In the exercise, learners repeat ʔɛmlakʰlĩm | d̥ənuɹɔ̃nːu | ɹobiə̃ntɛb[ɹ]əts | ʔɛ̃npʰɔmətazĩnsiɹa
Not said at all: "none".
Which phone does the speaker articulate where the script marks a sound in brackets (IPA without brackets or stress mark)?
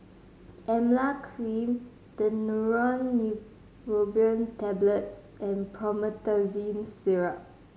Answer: l